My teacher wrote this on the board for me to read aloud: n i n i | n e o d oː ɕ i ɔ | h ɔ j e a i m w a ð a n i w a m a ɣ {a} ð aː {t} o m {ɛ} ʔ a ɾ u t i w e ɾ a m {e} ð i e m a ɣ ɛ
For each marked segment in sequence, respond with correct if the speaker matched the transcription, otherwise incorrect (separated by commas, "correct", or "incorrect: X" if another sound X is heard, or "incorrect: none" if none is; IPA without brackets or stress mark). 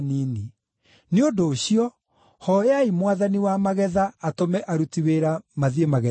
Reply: incorrect: ɛ, correct, correct, incorrect: a